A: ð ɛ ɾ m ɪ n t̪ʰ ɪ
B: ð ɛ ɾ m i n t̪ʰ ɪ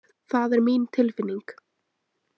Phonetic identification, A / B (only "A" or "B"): B